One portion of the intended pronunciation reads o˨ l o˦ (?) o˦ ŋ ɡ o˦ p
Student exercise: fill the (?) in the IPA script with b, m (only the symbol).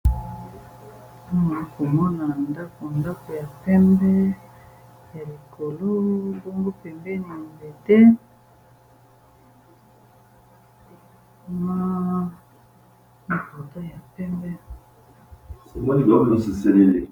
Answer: b